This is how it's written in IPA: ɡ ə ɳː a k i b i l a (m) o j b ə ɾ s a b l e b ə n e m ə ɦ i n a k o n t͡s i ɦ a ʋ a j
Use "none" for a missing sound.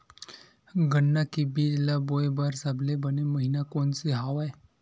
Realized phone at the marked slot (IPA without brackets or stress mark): b